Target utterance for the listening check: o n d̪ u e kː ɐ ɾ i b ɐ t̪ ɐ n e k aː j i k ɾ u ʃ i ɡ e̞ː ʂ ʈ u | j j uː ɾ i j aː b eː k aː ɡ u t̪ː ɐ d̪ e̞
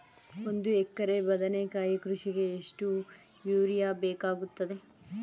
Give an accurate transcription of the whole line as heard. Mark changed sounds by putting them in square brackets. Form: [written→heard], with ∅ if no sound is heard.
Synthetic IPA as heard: o n d̪ u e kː ɐ ɾ [i→e] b ɐ [t̪→d̪] ɐ n e k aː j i k ɾ u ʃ i ɡ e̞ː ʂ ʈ u | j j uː ɾ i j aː b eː k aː ɡ u t̪ː ɐ d̪ e̞